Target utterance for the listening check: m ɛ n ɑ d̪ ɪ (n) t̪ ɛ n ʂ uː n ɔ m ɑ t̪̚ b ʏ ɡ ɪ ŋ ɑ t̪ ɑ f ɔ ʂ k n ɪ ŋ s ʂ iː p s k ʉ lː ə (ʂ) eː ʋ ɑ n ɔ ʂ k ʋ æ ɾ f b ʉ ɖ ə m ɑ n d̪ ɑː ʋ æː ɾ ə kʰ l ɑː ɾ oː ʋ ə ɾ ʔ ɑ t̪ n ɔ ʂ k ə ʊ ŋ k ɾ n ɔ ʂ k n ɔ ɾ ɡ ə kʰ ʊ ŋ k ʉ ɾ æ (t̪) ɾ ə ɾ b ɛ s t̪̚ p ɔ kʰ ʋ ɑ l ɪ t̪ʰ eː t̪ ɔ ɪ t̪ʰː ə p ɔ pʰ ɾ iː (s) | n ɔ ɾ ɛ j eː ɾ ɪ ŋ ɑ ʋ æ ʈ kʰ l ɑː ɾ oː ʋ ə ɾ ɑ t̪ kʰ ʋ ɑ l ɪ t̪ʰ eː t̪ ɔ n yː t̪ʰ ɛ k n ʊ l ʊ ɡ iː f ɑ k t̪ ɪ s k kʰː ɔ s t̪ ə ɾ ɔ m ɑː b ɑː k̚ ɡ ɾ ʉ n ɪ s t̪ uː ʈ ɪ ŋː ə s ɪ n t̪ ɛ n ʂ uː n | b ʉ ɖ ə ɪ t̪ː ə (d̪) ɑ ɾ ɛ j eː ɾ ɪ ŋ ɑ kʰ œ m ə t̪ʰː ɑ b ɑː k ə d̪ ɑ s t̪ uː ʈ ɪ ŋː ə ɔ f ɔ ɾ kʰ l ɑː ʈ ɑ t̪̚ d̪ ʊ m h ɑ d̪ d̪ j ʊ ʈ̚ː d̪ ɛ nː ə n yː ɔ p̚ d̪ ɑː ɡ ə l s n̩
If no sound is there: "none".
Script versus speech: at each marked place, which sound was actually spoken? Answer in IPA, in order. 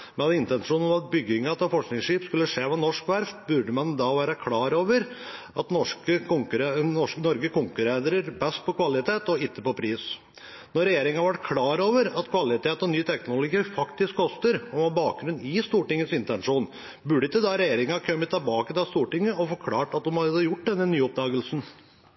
n, ʂ, d̪, s, d̪

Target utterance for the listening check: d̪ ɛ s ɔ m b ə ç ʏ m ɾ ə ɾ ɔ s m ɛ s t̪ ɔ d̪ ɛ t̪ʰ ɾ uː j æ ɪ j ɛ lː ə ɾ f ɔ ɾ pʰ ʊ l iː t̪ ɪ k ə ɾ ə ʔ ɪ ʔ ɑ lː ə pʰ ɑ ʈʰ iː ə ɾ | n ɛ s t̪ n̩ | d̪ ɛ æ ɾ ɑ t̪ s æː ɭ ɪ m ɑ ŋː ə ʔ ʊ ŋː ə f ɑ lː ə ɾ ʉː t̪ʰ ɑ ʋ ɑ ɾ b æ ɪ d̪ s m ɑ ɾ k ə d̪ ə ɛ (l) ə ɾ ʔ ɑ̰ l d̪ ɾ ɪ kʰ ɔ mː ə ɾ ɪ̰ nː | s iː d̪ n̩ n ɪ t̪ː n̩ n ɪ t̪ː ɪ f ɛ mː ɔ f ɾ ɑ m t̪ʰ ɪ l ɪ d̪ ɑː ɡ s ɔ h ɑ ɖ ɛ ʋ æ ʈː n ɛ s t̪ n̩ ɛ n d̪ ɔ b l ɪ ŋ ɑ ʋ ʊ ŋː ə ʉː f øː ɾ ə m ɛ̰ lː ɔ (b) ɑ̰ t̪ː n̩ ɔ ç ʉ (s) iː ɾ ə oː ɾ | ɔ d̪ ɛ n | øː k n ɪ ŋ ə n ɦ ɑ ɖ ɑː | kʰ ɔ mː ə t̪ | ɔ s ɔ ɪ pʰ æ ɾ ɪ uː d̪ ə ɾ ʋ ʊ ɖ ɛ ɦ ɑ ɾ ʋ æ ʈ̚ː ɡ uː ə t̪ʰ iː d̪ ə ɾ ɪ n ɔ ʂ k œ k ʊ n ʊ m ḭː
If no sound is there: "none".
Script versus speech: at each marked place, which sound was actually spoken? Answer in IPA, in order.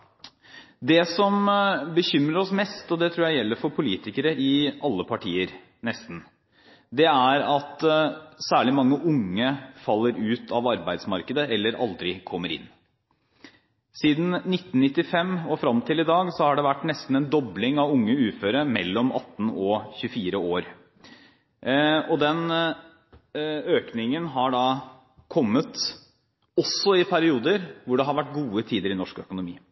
lː, m, f

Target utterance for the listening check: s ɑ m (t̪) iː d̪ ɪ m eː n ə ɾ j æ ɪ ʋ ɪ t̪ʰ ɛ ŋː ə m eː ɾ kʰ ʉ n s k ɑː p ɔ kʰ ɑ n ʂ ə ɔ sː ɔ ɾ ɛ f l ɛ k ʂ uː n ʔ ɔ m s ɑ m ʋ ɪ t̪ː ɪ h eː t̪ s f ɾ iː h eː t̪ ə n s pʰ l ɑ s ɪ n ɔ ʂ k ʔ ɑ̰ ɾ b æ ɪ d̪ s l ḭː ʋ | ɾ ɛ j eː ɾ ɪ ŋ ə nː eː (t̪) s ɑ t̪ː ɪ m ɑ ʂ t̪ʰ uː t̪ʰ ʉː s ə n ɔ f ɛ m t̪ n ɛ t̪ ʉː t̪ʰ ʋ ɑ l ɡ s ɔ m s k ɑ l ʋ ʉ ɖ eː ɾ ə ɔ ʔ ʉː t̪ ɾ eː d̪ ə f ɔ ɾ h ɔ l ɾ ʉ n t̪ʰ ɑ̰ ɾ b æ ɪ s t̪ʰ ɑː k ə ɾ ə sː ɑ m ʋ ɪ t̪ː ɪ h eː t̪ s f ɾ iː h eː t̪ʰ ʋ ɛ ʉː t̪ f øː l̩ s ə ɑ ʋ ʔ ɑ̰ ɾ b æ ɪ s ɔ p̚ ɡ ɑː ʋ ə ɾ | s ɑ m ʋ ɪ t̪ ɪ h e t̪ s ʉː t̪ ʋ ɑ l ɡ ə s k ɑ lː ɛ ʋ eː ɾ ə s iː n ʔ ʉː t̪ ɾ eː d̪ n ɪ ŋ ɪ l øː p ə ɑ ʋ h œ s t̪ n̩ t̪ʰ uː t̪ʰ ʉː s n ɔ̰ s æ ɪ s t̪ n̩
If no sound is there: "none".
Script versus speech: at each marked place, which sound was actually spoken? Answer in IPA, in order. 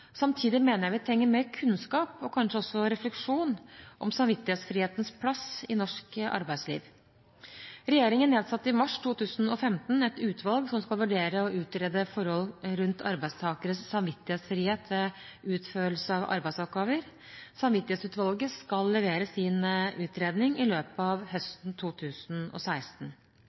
t̪ʰ, d̪

